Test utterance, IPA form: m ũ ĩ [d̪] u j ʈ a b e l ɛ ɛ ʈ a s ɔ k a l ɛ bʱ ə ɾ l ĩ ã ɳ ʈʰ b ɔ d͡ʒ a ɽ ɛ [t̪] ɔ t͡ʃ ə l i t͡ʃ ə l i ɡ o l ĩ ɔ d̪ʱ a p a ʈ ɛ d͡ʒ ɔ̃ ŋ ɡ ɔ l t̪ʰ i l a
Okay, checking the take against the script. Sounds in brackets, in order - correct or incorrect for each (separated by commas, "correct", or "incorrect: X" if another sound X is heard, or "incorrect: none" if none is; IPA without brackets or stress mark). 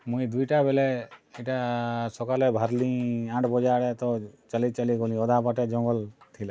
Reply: correct, correct